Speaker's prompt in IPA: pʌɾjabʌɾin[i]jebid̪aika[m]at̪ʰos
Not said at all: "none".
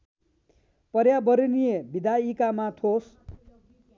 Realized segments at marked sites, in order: i, m

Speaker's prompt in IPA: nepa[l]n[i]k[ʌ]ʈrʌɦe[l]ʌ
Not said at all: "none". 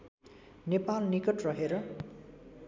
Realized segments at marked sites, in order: l, i, ʌ, ɾ

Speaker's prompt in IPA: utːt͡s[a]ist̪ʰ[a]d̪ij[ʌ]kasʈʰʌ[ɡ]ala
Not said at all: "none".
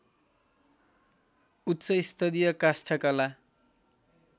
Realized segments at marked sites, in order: ʌ, ʌ, ʌ, k

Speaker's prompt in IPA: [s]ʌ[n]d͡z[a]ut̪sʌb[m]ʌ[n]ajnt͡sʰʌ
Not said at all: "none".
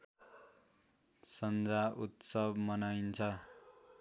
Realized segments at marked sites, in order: s, n, a, m, n

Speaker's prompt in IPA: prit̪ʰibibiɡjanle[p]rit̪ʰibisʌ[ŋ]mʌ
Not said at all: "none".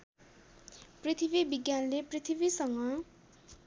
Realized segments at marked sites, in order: p, ŋ

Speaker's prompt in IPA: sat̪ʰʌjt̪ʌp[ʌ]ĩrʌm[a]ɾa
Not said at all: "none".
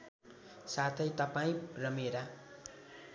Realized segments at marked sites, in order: a, e

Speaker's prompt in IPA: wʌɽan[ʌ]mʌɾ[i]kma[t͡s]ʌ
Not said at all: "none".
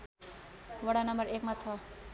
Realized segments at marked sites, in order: ʌ, e, t͡sʰ

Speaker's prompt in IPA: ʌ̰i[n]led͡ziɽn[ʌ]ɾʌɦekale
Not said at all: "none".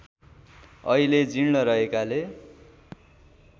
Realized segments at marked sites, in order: none, ʌ

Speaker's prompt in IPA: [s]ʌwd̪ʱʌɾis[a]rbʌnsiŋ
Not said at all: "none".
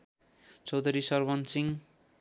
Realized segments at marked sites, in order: t͡s, ʌ

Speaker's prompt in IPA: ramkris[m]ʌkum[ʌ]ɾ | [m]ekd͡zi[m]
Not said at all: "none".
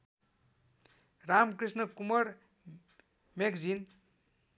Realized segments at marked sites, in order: n, ʌ, m, n

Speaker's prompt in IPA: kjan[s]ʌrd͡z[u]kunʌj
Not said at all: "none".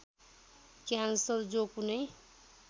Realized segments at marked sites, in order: s, o

